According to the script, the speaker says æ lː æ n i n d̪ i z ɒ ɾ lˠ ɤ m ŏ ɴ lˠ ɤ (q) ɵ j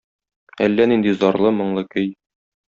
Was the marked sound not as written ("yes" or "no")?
yes